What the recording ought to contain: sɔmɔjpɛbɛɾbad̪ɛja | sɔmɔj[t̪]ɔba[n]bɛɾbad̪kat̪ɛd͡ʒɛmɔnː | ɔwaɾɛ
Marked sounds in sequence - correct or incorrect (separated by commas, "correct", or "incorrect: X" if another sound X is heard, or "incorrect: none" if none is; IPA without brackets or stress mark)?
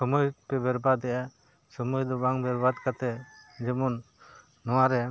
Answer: incorrect: d̪, incorrect: ŋ